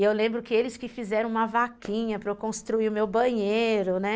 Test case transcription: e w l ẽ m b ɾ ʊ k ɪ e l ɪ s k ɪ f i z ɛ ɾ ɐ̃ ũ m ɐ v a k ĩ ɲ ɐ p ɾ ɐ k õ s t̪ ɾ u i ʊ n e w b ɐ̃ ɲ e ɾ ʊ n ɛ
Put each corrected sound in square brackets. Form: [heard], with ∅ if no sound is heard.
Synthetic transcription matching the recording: e w l ẽ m b ɾ ʊ k ɪ e l ɪ s k ɪ f i z ɛ ɾ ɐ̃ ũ m ɐ v a k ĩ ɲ ɐ p ɾ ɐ k õ s t̪ ɾ u i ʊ [m] e w b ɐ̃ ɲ e ɾ ʊ n ɛ